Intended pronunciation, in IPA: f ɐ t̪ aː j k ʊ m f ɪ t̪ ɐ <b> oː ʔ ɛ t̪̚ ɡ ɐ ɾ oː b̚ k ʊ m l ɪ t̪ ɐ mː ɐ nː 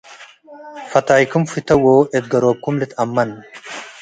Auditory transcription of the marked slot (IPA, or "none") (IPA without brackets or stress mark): w